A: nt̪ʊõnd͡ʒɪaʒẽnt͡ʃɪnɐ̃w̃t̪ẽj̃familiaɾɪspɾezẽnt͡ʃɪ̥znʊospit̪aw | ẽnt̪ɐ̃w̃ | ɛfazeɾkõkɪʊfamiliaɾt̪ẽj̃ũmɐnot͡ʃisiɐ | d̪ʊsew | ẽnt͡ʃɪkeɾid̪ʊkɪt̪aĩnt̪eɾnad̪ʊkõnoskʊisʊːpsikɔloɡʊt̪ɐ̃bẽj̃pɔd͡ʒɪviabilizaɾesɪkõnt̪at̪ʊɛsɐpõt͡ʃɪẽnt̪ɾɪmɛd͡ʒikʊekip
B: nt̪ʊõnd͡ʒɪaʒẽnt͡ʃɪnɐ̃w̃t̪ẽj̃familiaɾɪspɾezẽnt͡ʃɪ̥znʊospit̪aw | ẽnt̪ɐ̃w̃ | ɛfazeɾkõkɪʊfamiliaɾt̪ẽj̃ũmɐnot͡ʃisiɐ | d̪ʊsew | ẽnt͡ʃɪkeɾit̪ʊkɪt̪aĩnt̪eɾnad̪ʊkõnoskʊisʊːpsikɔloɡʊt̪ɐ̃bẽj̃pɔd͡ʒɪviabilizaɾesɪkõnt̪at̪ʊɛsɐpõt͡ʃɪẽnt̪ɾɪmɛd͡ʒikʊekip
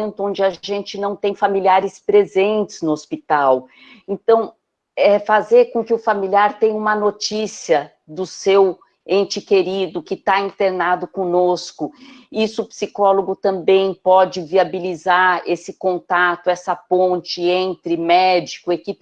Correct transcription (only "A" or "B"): A